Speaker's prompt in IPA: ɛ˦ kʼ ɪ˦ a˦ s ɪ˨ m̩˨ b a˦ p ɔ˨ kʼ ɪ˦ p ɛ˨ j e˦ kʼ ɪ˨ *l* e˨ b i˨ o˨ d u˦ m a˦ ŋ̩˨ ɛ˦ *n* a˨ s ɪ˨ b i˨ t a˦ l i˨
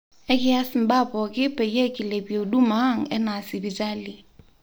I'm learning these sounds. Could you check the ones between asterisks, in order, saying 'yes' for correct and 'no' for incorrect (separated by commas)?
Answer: yes, yes